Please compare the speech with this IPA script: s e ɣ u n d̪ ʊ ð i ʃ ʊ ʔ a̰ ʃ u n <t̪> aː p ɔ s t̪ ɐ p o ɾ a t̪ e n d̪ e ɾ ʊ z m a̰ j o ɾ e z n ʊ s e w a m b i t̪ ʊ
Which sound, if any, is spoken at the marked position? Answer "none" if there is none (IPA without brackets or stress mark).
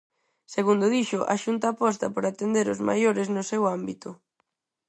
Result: t̪